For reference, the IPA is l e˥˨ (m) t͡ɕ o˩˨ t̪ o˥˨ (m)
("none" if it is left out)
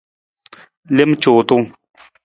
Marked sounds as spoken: m, ŋ

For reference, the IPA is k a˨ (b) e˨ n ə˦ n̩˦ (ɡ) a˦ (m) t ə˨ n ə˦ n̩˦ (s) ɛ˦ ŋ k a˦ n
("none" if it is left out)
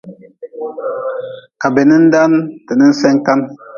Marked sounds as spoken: b, d, n, s

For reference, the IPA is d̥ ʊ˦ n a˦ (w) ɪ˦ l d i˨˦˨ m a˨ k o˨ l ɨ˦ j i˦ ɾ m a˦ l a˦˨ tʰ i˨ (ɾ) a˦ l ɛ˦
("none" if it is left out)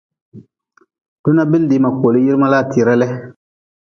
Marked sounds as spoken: b, ɾ

